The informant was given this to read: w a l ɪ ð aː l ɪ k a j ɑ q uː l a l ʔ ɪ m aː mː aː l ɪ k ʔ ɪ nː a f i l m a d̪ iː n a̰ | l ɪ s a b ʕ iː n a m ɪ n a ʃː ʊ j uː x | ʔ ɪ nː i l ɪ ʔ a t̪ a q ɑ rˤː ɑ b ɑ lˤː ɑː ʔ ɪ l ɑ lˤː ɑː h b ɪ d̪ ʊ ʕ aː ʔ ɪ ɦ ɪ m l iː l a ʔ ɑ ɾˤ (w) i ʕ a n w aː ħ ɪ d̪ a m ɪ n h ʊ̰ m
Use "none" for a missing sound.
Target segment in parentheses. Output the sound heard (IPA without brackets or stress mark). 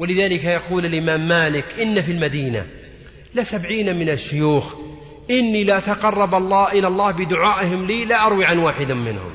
w